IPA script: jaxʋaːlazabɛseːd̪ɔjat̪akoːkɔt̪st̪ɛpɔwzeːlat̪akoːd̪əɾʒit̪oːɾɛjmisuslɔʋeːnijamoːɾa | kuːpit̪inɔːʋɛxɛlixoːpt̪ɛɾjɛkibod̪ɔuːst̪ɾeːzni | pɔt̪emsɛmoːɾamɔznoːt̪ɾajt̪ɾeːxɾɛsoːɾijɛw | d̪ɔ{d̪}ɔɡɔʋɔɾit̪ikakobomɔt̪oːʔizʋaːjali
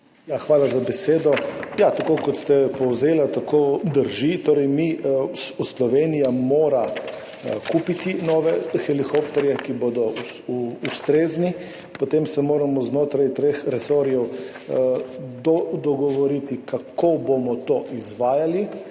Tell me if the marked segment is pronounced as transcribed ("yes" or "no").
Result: yes